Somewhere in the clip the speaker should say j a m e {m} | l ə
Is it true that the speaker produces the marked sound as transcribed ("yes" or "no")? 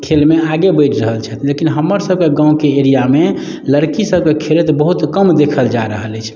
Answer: no